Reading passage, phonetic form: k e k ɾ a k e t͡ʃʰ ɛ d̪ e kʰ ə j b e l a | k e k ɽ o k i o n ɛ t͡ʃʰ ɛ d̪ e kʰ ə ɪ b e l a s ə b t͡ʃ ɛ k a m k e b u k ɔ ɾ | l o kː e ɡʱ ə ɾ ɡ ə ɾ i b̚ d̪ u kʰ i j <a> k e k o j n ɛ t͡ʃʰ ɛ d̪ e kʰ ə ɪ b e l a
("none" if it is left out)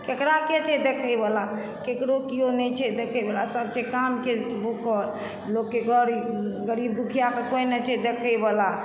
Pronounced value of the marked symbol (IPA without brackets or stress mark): a